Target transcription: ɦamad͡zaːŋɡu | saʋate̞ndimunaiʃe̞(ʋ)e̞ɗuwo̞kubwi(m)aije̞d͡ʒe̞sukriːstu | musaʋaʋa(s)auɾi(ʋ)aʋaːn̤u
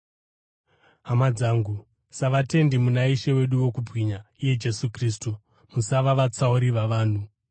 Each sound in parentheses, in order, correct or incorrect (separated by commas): incorrect, incorrect, incorrect, correct